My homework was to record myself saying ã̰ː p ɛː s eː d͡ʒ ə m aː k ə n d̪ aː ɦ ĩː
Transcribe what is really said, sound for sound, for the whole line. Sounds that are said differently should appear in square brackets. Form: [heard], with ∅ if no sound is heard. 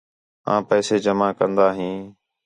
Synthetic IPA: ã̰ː p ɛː s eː d͡ʒ ə m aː k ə n d̪ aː ɦ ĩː

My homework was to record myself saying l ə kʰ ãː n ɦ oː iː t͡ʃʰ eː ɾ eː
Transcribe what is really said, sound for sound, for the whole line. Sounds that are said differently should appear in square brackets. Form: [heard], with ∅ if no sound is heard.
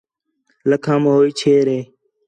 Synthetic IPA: l ə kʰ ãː [m] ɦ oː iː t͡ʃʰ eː ɾ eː

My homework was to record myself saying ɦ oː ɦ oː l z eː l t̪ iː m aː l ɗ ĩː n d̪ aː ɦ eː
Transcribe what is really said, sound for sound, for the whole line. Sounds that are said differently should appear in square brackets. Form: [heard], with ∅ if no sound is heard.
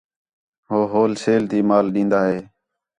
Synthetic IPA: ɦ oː ɦ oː l [s] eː l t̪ iː m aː l ɗ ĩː n d̪ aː ɦ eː

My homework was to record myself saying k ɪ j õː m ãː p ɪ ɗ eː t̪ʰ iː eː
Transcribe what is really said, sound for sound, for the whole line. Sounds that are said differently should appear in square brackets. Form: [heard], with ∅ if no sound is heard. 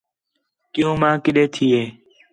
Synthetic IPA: k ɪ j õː m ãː [k] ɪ ɗ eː t̪ʰ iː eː

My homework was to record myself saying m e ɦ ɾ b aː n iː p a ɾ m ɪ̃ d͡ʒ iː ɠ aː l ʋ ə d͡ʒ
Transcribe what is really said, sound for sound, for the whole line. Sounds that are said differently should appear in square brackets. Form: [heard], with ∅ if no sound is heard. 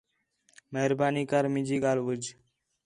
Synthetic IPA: m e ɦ ɾ b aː n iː [k] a ɾ m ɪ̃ d͡ʒ iː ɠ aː l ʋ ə d͡ʒ

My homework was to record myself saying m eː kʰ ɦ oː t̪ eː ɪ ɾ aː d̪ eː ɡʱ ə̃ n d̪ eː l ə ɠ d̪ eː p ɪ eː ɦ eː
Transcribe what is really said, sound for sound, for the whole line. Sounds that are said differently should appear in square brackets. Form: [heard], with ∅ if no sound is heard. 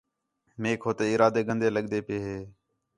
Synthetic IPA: m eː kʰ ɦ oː t̪ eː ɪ ɾ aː d̪ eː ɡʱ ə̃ n d̪ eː l ə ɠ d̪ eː p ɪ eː ɦ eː

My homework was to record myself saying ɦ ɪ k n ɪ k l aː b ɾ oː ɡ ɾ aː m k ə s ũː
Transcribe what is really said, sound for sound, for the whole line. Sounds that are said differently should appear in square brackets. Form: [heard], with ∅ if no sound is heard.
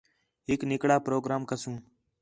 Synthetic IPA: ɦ ɪ k n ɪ k [ɽ] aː [p] ɾ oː ɡ ɾ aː m k ə s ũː

